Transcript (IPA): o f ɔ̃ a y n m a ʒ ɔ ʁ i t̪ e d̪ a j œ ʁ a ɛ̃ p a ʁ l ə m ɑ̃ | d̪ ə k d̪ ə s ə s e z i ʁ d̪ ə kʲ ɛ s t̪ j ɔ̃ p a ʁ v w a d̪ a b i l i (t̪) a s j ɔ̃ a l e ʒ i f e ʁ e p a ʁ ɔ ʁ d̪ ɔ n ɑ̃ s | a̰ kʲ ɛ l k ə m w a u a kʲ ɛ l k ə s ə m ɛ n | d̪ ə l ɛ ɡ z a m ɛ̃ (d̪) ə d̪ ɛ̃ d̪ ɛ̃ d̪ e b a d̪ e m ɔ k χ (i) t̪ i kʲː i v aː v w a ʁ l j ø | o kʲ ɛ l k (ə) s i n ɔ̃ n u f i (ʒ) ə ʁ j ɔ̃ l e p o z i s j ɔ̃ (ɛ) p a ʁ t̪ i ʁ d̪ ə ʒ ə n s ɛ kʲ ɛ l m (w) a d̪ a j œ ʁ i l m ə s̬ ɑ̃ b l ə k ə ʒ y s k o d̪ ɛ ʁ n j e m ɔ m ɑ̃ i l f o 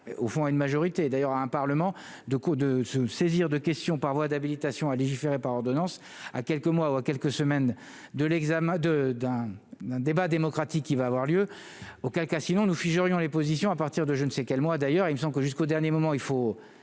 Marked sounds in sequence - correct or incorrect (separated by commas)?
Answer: correct, correct, incorrect, incorrect, correct, incorrect, correct